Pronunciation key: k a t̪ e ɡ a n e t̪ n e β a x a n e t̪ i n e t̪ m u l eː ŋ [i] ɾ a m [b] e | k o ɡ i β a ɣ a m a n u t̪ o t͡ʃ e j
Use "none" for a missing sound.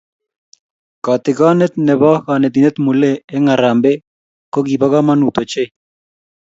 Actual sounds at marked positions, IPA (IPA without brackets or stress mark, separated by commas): a, b